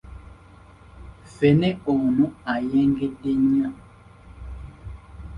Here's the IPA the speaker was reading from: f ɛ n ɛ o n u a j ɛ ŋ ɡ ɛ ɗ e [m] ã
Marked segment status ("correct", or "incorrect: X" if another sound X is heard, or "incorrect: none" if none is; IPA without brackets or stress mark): incorrect: ɲ